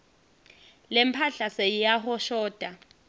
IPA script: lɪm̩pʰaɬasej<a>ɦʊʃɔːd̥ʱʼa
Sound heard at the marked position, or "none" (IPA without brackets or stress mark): a